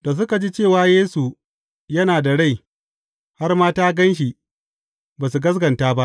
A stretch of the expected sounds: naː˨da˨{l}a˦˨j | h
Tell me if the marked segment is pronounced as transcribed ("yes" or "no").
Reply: no